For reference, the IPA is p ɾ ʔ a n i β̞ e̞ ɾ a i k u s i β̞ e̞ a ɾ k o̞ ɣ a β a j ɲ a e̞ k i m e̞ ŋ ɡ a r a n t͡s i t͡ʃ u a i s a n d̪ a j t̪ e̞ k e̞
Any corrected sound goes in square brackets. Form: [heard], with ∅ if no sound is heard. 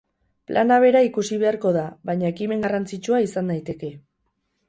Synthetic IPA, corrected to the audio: p [l] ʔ a n [a] β̞ e̞ ɾ a i k u s i β̞ e̞ a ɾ k o̞ [ð] a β a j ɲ a e̞ k i m e̞ ŋ ɡ a r a n t͡s i t͡ʃ u a i s a n d̪ a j t̪ e̞ k e̞